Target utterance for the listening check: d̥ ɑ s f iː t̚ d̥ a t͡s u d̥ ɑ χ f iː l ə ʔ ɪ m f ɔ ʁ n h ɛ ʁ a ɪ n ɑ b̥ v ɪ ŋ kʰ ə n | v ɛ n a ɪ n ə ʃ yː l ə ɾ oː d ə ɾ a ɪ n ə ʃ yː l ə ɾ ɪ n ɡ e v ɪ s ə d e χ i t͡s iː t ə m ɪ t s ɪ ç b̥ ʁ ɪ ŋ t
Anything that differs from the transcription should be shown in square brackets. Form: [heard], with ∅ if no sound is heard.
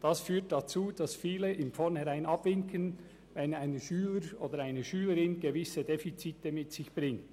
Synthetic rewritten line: d̥ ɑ s f [yː] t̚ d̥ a t͡s [uː] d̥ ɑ [s] f iː l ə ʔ ɪ m f ɔ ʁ n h ɛ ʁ a ɪ n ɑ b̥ v ɪ ŋ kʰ ə n | v ɛ n a ɪ n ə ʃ yː l ə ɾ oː d ə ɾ a ɪ n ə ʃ yː l ə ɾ ɪ n ɡ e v ɪ s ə d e [f] i t͡s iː t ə m ɪ t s ɪ ç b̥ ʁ ɪ ŋ t